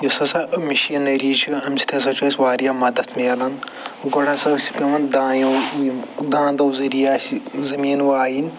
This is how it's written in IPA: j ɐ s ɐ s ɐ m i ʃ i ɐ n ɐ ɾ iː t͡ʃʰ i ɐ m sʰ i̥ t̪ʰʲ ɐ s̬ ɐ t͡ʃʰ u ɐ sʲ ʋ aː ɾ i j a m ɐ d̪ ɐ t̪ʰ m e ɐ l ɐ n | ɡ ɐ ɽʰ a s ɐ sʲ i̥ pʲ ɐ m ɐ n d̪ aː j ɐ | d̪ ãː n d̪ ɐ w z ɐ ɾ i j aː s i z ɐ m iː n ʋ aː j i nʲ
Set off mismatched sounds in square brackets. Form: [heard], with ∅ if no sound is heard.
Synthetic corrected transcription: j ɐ s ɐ s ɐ m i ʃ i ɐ n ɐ ɾ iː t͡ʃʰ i ɐ m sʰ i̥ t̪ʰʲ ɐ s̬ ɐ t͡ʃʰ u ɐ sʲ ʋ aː ɾ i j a m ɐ d̪ ɐ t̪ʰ m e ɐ l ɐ n | ɡ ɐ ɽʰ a s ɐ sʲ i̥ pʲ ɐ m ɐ n d̪ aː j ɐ | d̪ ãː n d̪ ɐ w z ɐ ɾ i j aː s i z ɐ m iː n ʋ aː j i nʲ